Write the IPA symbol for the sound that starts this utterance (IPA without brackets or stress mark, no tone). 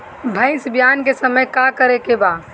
bʱ